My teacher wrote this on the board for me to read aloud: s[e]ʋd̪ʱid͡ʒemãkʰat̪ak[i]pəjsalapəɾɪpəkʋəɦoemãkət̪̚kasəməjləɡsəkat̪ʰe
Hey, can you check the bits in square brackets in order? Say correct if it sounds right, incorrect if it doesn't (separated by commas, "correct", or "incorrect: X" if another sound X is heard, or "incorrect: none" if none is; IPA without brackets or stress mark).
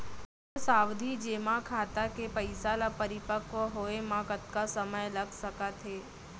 incorrect: a, incorrect: e